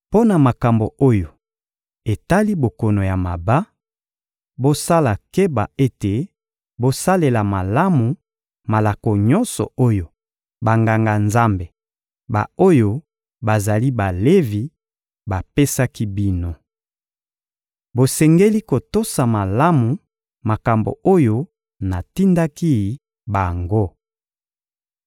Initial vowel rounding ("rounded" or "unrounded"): rounded